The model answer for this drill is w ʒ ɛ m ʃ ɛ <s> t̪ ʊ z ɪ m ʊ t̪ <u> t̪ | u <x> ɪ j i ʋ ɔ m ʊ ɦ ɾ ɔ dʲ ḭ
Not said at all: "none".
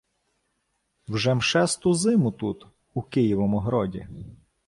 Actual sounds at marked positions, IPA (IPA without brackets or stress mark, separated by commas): s, u, k